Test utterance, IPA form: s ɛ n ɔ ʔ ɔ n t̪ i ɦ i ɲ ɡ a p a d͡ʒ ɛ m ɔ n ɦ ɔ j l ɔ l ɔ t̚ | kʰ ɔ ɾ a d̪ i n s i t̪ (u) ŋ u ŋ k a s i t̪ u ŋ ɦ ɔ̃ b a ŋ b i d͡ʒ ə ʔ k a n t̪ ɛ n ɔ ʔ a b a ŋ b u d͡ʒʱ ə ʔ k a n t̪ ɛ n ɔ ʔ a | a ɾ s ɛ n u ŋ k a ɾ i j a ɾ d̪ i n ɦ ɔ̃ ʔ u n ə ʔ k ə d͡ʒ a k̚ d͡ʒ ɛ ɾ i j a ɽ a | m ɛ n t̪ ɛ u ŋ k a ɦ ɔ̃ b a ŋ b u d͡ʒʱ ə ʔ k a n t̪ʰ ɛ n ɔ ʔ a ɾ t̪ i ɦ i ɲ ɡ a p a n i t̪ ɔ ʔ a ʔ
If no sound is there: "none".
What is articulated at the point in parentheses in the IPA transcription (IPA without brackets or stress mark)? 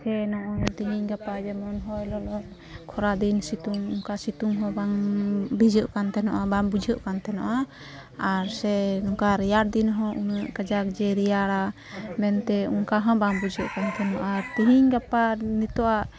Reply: u